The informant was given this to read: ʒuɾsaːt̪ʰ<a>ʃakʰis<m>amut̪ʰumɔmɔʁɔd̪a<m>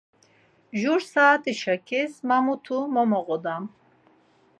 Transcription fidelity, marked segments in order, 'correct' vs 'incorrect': incorrect, correct, correct

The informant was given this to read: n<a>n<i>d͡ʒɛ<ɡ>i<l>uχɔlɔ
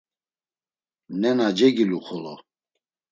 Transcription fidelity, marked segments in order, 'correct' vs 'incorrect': incorrect, incorrect, correct, correct

